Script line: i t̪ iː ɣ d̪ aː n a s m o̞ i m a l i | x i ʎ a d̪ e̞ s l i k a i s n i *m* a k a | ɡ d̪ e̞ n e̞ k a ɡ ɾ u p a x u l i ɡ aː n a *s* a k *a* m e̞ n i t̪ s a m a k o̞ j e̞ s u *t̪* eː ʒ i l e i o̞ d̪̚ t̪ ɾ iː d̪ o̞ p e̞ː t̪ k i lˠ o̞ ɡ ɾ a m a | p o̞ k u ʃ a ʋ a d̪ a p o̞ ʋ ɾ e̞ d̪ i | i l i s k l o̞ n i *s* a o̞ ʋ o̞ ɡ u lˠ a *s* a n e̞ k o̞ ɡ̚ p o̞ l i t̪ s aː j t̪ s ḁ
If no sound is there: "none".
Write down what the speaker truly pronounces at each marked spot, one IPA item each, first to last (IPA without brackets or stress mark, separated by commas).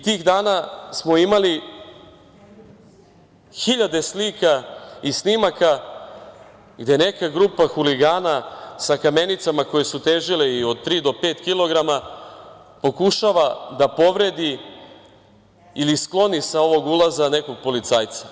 m, s, a, t̪, s, z